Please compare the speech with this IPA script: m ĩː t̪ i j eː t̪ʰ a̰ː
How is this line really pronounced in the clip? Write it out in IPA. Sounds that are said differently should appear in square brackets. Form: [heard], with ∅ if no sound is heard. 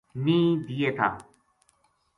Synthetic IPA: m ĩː [d̪] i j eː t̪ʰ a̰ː